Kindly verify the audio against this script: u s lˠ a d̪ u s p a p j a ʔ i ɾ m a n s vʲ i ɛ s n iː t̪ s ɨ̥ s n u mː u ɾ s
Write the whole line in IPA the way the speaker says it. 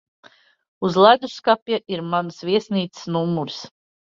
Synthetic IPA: u z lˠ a d̪ u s k a p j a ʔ i ɾ m a n s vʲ i ɛ s n iː t̪ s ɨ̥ s n u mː u ɾ s